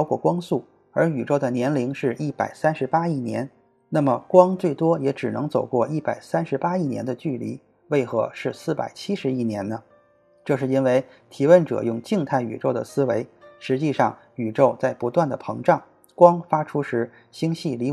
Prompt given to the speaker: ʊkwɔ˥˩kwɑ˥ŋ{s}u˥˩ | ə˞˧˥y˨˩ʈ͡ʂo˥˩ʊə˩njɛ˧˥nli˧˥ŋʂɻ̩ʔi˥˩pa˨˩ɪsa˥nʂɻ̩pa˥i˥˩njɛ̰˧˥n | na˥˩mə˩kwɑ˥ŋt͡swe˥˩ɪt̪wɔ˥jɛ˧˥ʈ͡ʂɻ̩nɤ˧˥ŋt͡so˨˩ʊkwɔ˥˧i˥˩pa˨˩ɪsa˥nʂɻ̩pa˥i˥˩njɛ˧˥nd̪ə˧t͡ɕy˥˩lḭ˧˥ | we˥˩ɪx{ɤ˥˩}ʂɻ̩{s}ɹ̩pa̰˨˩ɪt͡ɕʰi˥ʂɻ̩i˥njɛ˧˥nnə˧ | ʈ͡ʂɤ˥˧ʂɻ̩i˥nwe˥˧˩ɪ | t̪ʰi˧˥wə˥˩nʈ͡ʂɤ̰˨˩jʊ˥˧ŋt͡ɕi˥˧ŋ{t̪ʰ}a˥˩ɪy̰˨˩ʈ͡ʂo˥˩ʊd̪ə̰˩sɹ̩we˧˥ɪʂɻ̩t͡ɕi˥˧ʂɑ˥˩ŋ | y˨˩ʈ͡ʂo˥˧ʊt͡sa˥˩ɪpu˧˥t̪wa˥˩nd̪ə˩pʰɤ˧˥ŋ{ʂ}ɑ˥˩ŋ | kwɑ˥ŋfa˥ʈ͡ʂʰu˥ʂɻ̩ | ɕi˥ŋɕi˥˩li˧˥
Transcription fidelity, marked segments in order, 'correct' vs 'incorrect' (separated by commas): correct, incorrect, correct, correct, incorrect